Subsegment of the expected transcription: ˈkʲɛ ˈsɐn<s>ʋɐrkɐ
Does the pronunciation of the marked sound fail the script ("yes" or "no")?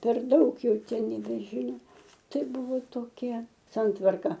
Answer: yes